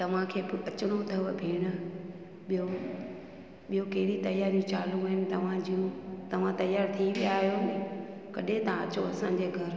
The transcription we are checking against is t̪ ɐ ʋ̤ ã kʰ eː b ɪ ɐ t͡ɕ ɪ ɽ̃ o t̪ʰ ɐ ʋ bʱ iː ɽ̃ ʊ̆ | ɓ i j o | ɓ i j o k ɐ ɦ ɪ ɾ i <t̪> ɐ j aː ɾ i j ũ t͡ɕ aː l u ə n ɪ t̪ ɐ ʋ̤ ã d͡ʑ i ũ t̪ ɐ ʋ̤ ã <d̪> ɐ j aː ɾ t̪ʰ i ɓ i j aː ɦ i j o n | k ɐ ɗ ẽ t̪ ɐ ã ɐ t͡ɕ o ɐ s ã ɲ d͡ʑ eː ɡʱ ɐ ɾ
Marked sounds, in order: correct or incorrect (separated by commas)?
correct, incorrect